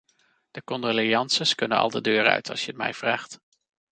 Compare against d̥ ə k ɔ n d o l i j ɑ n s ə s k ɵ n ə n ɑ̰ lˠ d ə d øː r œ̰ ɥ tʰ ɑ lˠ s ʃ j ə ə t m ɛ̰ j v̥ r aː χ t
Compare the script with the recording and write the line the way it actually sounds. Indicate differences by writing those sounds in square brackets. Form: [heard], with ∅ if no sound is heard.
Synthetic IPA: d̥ ə k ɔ n d o l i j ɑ n s ə s k ɵ n ə n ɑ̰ lˠ d ə d øː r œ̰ ɥ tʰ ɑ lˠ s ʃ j ə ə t m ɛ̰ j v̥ r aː χ t